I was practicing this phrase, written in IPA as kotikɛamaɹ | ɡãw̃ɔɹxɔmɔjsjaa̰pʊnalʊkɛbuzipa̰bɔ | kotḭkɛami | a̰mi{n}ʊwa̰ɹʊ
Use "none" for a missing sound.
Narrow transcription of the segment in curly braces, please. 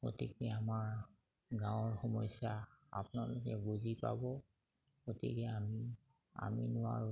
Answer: n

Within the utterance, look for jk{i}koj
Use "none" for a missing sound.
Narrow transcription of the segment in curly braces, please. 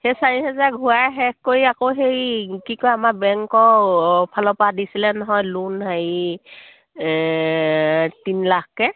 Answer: i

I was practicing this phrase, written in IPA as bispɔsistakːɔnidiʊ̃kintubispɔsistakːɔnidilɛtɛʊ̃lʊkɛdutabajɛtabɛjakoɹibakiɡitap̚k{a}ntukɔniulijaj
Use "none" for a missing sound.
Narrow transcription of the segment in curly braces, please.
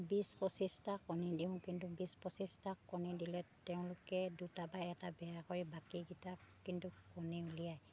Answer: i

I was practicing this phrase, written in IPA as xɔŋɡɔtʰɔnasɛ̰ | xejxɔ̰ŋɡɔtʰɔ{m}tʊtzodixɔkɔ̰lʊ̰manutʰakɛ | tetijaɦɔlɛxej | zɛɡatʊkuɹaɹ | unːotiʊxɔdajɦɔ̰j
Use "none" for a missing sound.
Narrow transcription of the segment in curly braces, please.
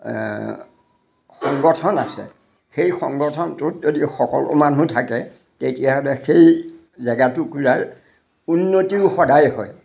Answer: n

